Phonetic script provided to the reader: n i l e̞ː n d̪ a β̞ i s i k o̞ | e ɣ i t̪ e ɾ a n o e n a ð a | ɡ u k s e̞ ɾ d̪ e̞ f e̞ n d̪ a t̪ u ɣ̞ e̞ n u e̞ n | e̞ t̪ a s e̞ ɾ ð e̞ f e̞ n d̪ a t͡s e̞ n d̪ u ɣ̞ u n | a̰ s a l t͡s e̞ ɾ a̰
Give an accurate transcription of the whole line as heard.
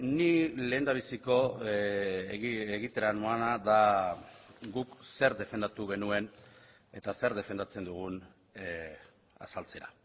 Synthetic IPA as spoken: n i l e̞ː n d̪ a β̞ i s i k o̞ | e ɣ i t̪ e ɾ a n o a n a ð a | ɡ u k s e̞ ɾ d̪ e̞ f e̞ n d̪ a t̪ u ɣ̞ e̞ n u e̞ n | e̞ t̪ a s e̞ ɾ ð e̞ f e̞ n d̪ a t͡s e̞ n d̪ u ɣ̞ u n | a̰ s a l t͡s e̞ ɾ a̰